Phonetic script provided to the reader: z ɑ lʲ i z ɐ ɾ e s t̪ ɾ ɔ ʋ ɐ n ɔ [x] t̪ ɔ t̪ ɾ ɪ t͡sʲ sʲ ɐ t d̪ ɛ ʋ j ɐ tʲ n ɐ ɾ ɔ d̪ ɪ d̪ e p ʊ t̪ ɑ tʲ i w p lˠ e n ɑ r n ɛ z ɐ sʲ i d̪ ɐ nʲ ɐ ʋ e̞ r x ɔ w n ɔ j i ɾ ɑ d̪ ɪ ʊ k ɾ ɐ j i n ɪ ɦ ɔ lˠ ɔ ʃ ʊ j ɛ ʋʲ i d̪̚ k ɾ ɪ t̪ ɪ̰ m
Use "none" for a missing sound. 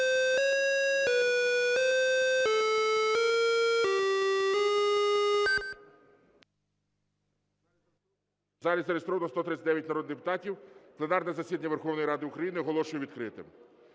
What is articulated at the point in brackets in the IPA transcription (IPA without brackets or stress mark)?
s